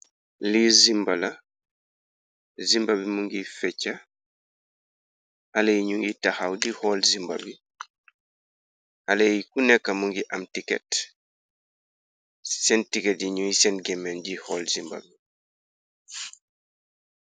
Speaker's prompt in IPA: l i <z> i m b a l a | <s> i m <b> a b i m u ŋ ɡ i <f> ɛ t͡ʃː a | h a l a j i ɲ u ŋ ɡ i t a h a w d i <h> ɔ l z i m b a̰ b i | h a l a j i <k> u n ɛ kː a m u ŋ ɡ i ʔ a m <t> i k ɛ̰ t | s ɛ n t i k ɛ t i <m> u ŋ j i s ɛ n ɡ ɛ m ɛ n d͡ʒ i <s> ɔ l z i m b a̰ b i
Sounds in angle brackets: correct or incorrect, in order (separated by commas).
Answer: correct, incorrect, correct, correct, correct, correct, correct, incorrect, incorrect